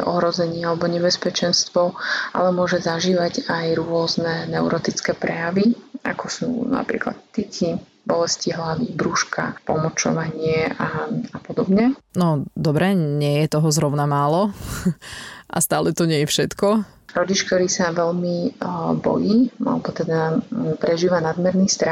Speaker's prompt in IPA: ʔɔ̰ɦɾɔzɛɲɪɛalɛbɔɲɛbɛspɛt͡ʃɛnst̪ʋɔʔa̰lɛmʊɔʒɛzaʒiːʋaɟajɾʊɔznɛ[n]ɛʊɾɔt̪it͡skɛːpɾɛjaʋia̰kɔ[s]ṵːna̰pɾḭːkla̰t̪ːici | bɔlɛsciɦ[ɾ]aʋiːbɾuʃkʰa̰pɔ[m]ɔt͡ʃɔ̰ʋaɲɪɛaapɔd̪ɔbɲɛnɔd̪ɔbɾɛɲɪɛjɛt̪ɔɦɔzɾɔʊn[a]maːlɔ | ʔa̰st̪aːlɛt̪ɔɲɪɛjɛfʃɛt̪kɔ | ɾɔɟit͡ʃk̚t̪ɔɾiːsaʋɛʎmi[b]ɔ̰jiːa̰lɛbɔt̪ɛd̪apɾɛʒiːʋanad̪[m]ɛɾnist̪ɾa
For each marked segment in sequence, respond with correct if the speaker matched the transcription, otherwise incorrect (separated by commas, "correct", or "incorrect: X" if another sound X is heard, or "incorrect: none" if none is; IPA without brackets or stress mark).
correct, correct, incorrect: l, correct, correct, correct, correct